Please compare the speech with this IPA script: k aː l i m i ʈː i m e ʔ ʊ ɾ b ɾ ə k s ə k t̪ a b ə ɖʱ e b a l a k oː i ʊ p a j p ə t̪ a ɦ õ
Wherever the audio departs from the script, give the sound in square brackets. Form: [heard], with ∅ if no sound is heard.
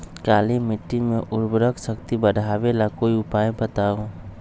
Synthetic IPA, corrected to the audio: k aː l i m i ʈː i m e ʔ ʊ ɾ b ɾ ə k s ə k t̪ [i] b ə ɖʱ [a] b [e] l a k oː i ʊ p a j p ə t̪ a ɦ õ